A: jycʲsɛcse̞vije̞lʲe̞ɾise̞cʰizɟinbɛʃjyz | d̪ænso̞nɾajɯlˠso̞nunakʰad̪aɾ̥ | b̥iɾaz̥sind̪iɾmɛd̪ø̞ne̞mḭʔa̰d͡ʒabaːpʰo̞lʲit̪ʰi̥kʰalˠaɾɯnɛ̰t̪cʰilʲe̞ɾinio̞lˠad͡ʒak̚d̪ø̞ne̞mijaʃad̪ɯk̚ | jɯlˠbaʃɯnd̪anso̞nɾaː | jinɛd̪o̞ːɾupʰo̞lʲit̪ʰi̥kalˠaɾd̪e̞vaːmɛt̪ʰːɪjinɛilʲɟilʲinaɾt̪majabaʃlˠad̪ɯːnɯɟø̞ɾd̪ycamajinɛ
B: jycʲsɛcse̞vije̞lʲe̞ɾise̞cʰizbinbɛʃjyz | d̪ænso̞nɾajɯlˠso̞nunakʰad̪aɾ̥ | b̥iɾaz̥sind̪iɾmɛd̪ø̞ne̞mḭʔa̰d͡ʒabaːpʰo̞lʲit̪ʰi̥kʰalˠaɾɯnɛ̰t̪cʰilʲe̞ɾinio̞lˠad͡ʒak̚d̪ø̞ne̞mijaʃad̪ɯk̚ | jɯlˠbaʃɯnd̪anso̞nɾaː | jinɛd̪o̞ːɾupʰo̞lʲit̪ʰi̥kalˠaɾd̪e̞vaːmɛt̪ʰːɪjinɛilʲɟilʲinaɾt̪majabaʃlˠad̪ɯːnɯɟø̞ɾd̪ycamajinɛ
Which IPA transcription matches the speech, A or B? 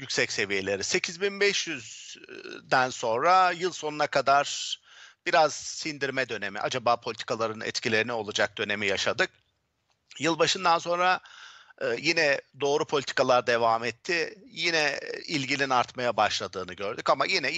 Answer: B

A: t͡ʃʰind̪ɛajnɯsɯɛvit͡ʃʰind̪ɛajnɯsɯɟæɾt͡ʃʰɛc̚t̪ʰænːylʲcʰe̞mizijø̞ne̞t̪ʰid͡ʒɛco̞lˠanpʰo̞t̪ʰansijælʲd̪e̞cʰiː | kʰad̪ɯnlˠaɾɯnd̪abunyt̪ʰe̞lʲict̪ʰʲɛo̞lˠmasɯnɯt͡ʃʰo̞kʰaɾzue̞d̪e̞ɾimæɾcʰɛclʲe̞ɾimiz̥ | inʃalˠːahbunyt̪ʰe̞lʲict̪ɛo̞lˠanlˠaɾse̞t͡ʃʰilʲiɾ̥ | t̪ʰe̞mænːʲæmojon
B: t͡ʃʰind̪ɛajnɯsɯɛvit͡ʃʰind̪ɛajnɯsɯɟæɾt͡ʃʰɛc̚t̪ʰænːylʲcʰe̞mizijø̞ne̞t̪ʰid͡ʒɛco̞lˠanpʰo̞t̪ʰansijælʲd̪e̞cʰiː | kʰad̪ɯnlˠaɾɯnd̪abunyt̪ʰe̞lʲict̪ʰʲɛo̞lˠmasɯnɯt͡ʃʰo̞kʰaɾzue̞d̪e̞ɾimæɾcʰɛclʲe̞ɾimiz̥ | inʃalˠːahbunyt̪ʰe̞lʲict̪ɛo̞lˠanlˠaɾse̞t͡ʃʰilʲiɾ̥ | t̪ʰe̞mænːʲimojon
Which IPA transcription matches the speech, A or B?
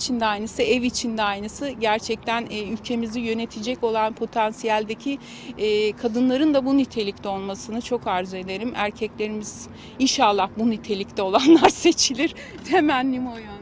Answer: B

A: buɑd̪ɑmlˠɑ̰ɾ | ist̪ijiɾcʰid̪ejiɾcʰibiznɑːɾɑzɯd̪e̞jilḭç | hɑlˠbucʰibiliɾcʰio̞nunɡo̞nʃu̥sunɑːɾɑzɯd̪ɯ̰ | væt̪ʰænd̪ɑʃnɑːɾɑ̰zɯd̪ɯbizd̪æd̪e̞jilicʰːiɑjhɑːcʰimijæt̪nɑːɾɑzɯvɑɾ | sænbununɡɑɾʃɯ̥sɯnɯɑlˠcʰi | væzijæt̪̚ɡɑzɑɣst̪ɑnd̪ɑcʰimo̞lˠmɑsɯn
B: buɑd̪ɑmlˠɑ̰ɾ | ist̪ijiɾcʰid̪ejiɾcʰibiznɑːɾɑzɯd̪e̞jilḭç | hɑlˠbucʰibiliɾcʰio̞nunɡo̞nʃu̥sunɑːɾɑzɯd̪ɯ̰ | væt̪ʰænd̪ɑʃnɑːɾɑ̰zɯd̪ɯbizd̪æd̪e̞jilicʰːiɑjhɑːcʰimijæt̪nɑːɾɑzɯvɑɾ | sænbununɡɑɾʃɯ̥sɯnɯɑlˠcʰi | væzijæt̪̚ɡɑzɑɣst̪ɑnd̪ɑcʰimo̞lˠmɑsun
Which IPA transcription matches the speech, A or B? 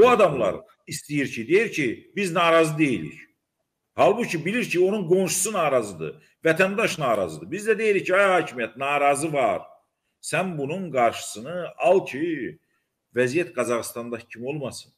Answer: A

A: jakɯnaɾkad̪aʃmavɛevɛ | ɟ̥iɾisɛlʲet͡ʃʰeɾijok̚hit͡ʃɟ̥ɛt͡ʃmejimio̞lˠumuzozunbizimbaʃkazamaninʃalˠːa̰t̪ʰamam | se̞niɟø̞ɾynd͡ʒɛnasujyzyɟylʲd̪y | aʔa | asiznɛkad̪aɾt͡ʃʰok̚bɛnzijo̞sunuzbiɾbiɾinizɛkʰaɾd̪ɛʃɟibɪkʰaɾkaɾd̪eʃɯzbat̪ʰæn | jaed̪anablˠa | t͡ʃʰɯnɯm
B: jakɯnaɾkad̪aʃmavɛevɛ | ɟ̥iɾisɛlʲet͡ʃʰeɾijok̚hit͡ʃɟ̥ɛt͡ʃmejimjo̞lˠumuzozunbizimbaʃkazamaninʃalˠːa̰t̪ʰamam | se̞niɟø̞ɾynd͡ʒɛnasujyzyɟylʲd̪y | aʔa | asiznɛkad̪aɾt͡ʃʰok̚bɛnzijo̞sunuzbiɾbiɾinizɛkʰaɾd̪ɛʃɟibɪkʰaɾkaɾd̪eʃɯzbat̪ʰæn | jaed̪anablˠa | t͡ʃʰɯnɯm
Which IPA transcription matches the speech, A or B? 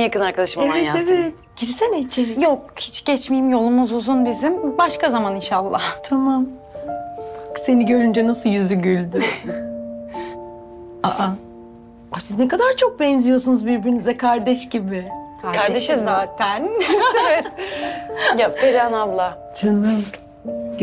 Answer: B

